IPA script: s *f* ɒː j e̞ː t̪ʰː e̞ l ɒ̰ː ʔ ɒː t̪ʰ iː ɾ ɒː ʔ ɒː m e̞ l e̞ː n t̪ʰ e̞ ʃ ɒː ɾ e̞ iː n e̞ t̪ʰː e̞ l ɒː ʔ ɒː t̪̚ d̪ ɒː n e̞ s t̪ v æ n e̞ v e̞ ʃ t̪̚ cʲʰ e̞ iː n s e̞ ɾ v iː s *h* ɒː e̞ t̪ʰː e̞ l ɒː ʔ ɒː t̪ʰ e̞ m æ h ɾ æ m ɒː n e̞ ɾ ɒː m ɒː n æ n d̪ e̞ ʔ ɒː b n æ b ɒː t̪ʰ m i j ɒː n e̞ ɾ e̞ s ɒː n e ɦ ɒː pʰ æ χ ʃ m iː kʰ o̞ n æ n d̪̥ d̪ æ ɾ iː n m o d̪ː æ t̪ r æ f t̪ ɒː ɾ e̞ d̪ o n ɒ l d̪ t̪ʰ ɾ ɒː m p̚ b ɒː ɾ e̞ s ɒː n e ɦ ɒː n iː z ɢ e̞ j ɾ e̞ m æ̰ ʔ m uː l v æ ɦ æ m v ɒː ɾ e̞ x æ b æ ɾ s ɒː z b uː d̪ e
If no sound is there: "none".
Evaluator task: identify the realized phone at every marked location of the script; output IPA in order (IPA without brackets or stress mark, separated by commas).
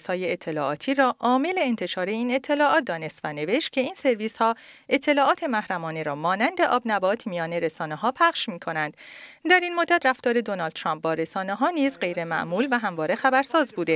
h, h